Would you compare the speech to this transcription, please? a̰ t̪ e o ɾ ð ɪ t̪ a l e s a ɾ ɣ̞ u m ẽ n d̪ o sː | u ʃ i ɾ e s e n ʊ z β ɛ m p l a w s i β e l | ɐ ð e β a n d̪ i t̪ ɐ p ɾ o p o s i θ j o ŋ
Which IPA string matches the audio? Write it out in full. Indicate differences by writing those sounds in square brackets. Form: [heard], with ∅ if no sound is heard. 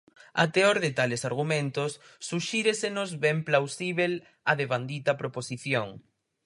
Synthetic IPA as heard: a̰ t̪ e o ɾ ð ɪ t̪ a l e s a ɾ ɣ̞ u m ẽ n [t̪] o sː | u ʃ i ɾ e s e n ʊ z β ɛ m p l a w s i β e l | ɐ ð e β a n d̪ i t̪ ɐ p ɾ o p o s i θ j o ŋ